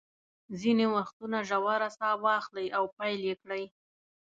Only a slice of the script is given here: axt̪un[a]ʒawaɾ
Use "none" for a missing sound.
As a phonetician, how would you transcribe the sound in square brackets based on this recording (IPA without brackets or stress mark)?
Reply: a